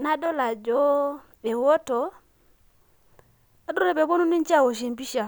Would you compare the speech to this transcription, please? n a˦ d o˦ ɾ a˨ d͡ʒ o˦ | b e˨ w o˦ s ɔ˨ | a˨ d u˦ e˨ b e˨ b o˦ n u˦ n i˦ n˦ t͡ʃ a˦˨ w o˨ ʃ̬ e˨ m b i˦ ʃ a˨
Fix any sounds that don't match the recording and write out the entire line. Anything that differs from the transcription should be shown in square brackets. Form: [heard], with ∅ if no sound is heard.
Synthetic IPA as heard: n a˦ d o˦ [l] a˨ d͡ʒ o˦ | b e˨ w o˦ [t] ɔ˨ | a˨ d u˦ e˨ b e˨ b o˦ n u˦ n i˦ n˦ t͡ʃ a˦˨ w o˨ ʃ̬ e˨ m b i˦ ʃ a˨